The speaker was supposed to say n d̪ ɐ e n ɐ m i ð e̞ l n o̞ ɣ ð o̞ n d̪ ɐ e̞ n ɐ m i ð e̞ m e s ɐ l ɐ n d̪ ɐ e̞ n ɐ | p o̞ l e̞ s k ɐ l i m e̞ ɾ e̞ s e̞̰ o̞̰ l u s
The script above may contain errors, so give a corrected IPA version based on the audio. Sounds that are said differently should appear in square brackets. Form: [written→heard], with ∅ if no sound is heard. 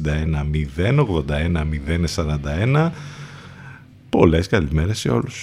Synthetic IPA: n d̪ ɐ e n ɐ m i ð e̞ [l→∅] n o̞ ɣ ð o̞ n d̪ ɐ e̞ n ɐ m i ð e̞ [m→n] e s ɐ [l→ɾ] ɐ n d̪ ɐ e̞ n ɐ | p o̞ l e̞ s k ɐ l i m e̞ ɾ e̞ s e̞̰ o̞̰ l u s